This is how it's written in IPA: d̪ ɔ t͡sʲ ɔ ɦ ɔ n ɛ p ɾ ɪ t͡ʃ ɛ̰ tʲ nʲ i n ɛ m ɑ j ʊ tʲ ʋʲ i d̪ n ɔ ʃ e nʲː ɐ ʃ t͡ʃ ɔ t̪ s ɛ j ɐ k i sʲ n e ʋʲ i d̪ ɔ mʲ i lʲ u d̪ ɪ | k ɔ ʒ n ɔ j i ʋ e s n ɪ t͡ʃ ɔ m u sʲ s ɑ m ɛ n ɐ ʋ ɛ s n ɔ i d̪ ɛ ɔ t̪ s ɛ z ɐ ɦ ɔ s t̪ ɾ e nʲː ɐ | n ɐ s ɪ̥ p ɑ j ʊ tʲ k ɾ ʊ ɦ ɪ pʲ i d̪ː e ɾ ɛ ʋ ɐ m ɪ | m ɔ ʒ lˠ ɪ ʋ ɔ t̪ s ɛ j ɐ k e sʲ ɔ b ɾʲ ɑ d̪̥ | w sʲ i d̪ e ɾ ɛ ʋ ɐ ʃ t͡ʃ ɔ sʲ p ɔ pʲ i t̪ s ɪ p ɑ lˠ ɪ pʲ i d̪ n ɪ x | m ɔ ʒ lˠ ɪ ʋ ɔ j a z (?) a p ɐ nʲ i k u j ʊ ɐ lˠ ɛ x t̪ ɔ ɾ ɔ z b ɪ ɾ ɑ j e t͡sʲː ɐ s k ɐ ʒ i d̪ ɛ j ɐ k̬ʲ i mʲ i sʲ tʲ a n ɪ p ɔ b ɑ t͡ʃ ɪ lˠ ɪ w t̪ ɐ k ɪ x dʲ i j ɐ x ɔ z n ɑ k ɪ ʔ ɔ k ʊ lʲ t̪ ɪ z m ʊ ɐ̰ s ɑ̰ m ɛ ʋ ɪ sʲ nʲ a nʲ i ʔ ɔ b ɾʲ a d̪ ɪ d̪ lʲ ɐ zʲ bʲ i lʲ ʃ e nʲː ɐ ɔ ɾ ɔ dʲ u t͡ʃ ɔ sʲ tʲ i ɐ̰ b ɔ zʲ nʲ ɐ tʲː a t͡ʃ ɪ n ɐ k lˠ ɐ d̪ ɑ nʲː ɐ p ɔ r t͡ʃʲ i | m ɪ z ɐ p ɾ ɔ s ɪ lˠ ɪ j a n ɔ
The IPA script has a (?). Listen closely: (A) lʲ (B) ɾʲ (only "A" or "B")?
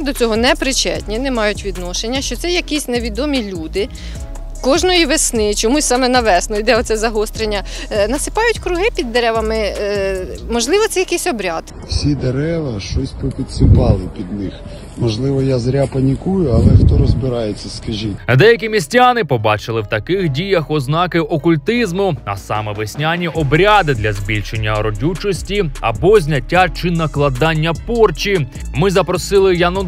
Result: B